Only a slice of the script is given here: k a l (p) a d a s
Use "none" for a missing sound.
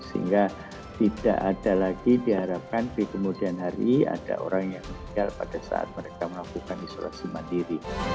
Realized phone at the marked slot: p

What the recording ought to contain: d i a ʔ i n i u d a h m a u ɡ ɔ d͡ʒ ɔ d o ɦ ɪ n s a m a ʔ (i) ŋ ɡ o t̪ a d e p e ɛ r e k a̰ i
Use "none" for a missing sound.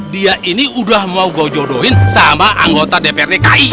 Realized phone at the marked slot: a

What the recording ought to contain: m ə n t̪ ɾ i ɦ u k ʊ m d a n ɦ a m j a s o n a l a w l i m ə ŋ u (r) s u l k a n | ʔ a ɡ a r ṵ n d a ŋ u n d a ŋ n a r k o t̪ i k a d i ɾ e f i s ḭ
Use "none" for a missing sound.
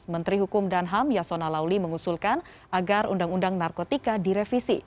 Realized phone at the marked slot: none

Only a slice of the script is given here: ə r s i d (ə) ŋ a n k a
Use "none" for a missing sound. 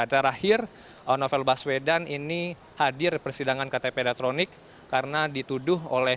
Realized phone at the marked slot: a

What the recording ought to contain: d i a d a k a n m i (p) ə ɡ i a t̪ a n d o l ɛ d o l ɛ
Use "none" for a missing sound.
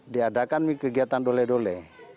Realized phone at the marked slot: k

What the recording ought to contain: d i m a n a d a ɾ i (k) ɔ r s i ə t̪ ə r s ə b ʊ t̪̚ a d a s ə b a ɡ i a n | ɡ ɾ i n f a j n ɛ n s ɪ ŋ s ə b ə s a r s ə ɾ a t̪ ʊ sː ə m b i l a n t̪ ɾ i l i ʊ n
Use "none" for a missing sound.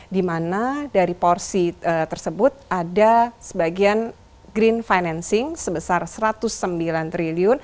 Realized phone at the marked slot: p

